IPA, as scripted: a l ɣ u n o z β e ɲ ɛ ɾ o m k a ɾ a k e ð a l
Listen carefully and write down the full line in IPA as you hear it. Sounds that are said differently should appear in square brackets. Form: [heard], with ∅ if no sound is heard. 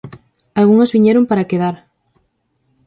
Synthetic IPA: a l ɣ u [ŋ] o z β [i] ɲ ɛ ɾ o m [p] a ɾ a k e ð a [ɾ]